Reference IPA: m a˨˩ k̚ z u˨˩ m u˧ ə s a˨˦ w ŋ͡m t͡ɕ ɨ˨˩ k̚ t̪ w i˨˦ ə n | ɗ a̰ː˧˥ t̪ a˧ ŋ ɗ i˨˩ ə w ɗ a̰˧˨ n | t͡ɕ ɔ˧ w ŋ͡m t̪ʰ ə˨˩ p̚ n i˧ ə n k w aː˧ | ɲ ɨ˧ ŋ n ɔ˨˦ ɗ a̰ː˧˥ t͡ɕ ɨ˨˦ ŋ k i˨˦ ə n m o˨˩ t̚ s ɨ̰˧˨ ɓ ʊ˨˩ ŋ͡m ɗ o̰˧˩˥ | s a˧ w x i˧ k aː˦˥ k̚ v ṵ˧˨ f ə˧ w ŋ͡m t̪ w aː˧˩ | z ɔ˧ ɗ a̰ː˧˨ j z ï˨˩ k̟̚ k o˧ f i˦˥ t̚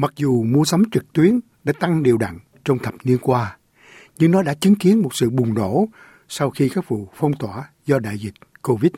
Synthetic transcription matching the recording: m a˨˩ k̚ z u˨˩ m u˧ ə s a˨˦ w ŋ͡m t͡ɕ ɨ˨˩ k̚ t̪ w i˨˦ ə n | ɗ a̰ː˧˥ t̪ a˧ ŋ ɗ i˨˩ ə w ɗ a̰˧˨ ŋ | t͡ɕ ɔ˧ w ŋ͡m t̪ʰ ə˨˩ p̚ n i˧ ə n k w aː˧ | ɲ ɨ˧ ŋ n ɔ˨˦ ɗ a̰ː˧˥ t͡ɕ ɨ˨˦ ŋ k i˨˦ ə n m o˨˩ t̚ s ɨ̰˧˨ ɓ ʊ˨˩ ŋ͡m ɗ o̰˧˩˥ | s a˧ w x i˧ k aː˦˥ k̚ v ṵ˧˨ f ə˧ w ŋ͡m t̪ w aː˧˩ | z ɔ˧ ɗ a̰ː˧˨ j z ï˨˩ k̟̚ k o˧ v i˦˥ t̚